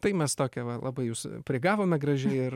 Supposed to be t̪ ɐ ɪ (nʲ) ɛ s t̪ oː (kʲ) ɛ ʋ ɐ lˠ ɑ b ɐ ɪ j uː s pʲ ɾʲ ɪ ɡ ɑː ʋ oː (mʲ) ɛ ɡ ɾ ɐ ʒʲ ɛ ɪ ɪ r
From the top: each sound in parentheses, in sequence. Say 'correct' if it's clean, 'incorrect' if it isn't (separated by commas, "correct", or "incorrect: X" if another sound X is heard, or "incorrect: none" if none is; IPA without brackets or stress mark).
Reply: incorrect: mʲ, correct, correct